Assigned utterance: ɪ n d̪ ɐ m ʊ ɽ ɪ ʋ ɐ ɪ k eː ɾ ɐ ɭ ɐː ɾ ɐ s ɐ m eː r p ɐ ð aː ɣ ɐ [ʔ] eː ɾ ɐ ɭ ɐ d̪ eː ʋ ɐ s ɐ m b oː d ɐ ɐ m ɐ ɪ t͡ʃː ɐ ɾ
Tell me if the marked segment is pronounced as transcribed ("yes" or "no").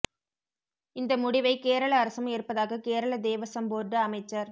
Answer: no